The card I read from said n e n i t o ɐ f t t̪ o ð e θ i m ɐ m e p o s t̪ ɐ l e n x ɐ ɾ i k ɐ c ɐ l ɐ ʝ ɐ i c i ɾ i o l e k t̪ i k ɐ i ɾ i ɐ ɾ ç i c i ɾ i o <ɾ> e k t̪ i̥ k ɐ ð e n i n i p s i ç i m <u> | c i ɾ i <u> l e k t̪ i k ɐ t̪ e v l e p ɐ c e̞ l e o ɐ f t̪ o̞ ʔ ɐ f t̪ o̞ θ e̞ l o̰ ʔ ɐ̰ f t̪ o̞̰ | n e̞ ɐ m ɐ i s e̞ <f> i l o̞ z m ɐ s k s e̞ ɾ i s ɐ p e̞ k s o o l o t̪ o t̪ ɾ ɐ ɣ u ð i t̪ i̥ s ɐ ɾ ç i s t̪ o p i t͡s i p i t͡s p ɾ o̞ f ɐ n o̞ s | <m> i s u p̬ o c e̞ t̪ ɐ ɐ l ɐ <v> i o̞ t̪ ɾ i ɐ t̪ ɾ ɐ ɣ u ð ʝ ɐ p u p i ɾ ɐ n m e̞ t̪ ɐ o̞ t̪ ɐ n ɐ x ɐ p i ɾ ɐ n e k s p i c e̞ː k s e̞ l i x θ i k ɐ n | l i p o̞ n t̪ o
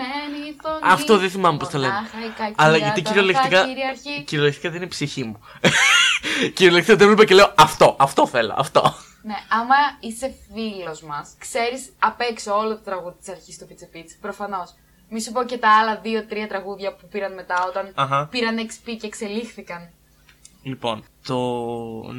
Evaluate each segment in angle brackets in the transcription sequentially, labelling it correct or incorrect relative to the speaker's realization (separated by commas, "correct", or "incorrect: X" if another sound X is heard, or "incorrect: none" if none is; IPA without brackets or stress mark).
incorrect: l, correct, incorrect: o, correct, correct, incorrect: ð